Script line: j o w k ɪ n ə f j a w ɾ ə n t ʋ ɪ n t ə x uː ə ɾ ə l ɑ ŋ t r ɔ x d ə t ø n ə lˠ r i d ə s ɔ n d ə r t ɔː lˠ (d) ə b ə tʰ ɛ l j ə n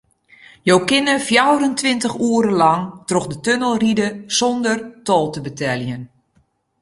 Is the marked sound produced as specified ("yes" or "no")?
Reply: no